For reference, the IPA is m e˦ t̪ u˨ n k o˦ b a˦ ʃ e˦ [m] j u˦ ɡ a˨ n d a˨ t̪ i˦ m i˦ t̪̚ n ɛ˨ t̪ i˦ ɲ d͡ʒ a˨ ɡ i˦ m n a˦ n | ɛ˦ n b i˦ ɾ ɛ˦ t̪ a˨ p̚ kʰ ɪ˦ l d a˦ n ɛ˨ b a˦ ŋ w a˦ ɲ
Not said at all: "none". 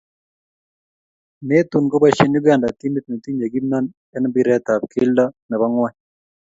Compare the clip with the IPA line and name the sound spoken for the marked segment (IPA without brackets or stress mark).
n